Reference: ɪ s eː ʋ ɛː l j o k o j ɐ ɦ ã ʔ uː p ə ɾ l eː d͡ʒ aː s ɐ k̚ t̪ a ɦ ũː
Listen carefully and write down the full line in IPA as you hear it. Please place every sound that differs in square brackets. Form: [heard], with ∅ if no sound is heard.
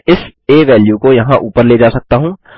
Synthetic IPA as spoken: ɪ s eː ʋ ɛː l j [u] k o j ɐ ɦ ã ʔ uː p ə ɾ l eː d͡ʒ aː s ɐ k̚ t̪ a ɦ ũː